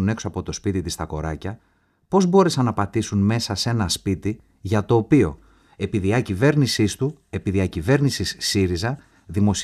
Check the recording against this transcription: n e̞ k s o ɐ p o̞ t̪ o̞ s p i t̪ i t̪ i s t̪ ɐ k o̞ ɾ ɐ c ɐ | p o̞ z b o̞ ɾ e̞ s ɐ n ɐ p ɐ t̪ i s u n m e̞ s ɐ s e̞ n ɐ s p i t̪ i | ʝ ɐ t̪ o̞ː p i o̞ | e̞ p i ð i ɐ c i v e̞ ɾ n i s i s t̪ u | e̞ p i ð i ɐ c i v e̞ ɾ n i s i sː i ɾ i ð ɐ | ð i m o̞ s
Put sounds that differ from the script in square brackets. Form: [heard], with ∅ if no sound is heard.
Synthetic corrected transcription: n e̞ k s o ɐ p o̞ t̪ o̞ s p i t̪ i t̪ i s t̪ ɐ k o̞ ɾ ɐ c ɐ | p o̞ z b o̞ ɾ e̞ s ɐ n ɐ p ɐ t̪ i s u n m e̞ s ɐ s e̞ n ɐ s p i t̪ i | ʝ ɐ t̪ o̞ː p i o̞ | e̞ p i ð i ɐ c i v e̞ ɾ n i s i s t̪ u | e̞ p i ð i ɐ c i v e̞ ɾ n i s i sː i ɾ i [z] ɐ | ð i m o̞ s